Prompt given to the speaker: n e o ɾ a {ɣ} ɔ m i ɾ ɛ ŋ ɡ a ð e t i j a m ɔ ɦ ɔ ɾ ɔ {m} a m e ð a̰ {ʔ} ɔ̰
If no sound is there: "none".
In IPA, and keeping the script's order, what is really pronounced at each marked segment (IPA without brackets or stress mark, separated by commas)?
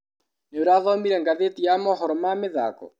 ð, m, k